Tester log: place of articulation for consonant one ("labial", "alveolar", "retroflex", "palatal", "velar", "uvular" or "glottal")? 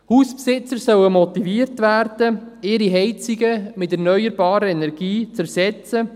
glottal